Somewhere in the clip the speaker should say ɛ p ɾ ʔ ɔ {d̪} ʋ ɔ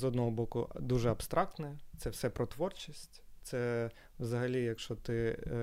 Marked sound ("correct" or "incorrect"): incorrect